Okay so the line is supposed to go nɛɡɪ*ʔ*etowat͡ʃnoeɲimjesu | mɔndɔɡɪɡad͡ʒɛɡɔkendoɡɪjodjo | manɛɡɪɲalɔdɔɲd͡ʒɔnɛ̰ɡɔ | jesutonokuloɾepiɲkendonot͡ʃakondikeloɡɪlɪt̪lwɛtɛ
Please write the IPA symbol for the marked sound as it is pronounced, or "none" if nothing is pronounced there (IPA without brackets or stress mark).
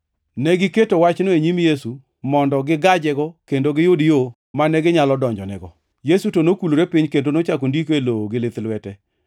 k